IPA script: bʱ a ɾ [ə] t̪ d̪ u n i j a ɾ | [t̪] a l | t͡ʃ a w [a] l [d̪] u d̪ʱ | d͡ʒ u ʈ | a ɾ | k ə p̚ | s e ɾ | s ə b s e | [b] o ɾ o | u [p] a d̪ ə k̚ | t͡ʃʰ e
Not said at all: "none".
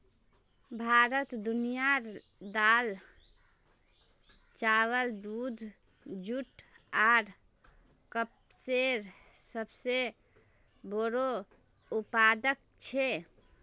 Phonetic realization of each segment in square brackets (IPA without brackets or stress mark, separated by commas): ə, d̪, ə, d̪, b, p